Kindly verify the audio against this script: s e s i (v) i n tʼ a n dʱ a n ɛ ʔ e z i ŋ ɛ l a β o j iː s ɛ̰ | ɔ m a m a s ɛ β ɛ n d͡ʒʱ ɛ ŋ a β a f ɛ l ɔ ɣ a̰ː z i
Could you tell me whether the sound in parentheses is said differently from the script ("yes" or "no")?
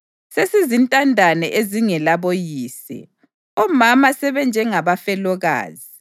yes